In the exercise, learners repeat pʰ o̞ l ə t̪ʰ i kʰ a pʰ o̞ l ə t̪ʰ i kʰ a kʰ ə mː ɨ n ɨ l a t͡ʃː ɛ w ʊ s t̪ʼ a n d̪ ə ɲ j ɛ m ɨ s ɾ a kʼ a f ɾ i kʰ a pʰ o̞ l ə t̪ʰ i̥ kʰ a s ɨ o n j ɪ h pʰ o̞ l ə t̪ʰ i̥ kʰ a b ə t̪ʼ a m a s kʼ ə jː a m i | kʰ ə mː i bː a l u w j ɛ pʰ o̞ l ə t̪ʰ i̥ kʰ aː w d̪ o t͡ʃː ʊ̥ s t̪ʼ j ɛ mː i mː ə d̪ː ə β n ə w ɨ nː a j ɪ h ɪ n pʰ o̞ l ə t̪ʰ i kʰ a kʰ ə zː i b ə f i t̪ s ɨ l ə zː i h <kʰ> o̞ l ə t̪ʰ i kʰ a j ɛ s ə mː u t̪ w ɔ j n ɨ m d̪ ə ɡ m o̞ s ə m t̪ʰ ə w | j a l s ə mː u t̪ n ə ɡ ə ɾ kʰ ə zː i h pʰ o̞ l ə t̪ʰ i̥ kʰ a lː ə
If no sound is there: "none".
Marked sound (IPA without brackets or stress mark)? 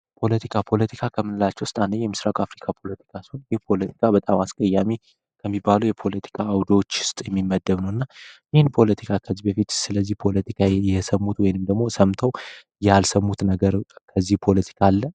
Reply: pʰ